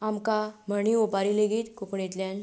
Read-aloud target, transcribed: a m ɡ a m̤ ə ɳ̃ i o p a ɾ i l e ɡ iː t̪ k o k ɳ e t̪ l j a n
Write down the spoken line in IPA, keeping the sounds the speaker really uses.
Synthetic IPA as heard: a m k a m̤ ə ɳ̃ i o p a ɾ i l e ɡ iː t̪ k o k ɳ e t̪ l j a n

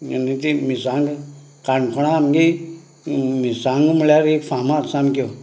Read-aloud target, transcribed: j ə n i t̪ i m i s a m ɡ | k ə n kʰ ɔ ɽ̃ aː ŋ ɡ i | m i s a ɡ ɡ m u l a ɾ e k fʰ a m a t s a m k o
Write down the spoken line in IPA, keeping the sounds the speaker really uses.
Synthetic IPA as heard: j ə n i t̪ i m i s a ŋ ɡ | k a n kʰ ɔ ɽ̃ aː m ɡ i | m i s a ŋ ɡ m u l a ɾ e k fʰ a m a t s a m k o

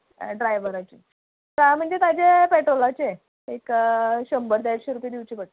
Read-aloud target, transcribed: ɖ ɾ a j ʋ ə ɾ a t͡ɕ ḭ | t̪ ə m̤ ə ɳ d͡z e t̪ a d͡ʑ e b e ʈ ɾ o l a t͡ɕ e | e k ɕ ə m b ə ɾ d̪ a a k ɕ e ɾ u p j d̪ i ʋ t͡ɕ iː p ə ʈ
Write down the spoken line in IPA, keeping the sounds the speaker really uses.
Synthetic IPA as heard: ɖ ɾ a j ʋ ə ɾ a t͡ɕ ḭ | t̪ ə m̤ ə ɳ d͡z e t̪ a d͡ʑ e p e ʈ ɾ o l a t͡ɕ e | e k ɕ ə m b ə ɾ d̪ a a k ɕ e ɾ u p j d̪ i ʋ t͡ɕ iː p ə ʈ

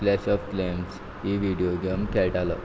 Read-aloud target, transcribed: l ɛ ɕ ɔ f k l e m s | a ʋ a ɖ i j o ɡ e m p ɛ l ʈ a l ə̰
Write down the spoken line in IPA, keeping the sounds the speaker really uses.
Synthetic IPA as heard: l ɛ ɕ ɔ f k l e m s | i ʋ i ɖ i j o ɡ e m k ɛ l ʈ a l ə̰

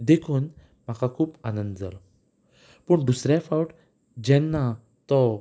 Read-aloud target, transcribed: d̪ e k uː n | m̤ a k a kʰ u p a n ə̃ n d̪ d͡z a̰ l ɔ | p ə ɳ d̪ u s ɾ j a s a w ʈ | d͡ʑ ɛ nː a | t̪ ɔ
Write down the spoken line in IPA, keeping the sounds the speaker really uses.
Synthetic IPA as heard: d̪ e kʰ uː n | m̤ a k a kʰ uː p a n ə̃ n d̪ d͡z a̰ l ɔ | p ə ɳ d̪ u s ɾ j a f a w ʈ | d͡ʑ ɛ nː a | t̪ ɔ

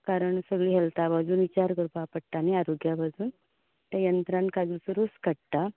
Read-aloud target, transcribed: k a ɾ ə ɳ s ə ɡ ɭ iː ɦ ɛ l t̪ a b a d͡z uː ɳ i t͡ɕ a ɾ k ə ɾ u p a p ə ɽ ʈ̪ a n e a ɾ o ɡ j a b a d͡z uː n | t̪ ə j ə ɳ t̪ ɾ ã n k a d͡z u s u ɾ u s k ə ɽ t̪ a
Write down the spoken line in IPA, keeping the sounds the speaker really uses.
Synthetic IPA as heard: k a ɾ ə ɳ s ə ɡ ɭ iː ɦ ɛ l t̪ a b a d͡z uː n i t͡ɕ a ɾ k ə ɾ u p a p ə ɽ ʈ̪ a n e a ɾ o ɡ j a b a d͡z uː n | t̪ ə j ə n t̪ ɾ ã n k a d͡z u s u ɾ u s k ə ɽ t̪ a

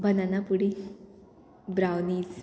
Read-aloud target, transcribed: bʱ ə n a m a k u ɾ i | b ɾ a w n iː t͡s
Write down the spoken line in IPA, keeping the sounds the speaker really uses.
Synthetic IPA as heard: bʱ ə n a n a p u ɽ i | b ɾ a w n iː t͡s

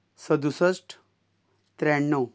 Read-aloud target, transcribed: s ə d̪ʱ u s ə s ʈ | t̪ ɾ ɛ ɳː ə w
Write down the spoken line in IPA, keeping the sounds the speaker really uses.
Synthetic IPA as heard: s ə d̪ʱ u s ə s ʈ | t̪ ɾ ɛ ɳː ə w

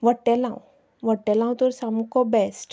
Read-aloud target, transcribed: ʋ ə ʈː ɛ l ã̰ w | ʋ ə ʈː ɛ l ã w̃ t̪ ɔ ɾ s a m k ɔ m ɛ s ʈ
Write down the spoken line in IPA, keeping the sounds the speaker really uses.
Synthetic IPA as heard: ʋ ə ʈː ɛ l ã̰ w | ʋ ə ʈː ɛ l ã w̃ t̪ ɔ ɾ s a m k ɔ b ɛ s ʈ

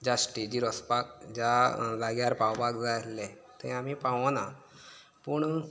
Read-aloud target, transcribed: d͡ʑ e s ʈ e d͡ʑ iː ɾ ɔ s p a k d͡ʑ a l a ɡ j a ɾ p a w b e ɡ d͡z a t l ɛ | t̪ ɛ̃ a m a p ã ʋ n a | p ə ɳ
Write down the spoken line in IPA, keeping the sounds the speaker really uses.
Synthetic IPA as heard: d͡ʑ a s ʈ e d͡ʑ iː ɾ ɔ s p a k d͡ʑ a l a ɡ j a ɾ p a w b a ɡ d͡z a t l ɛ | t̪ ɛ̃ a m i p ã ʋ n a | p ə ɳ

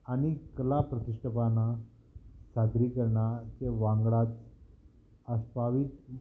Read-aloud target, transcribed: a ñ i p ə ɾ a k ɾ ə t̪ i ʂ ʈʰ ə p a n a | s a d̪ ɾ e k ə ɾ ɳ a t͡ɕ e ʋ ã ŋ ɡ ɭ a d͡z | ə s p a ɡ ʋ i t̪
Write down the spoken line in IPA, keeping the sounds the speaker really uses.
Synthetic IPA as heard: a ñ i k ə l a p ɾ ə t̪ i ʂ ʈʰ ə p a n a | s a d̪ ɾ i k ə ɾ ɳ a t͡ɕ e ʋ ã ŋ ɡ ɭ a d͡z | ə s p a ʋ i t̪

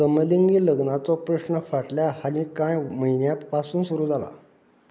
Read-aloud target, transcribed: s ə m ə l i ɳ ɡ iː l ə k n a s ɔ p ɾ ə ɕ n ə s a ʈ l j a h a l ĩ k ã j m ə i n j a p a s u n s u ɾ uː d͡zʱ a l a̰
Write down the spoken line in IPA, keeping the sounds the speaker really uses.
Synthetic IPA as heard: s ə m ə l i ŋ ɡ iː l ə ɡ n a t͡s ɔ p ɾ ə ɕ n ə f a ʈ l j a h a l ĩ k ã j m ə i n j a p a s uː n s u ɾ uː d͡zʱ a l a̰

